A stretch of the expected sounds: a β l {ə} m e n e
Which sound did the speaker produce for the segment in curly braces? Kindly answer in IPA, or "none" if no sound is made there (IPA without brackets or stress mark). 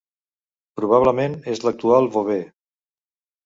ə